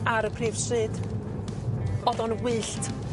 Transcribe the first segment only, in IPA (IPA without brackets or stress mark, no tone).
a